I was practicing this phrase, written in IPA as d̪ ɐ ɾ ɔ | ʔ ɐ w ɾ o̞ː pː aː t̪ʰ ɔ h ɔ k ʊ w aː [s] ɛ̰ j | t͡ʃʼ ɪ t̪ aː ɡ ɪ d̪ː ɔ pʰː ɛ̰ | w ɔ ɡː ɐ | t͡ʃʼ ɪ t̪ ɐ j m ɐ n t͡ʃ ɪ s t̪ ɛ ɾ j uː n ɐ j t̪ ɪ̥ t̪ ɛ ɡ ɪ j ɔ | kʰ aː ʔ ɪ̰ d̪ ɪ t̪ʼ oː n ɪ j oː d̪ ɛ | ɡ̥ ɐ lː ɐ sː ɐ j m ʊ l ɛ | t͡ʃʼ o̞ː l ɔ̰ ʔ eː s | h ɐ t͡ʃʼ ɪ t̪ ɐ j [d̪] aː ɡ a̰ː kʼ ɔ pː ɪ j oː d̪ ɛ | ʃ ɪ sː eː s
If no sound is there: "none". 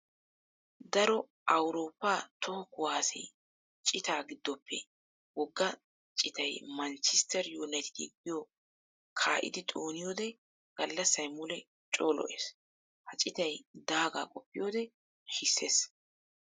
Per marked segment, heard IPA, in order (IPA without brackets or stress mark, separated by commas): s, d̪